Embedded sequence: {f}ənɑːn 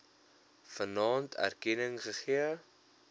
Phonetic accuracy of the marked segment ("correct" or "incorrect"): correct